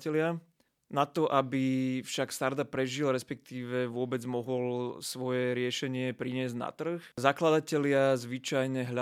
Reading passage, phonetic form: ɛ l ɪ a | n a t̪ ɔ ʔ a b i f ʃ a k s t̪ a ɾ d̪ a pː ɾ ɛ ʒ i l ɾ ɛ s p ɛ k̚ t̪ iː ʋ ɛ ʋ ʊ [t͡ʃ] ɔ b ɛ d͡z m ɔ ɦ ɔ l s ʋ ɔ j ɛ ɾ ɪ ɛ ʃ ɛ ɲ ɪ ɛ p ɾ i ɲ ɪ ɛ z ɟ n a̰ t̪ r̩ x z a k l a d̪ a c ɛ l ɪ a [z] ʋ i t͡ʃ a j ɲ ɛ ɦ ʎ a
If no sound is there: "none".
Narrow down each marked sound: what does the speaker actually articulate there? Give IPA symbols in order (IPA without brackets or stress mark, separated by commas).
none, z